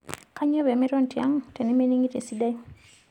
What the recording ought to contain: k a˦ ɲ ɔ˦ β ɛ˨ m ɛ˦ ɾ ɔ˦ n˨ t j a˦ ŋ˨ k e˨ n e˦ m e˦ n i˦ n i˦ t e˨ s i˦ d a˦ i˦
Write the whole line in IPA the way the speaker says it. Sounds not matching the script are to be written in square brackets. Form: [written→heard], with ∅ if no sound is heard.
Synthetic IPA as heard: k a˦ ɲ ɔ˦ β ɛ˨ m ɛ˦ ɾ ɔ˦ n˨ t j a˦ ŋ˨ [k→t] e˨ n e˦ m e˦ n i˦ [n→ŋ] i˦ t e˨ s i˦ d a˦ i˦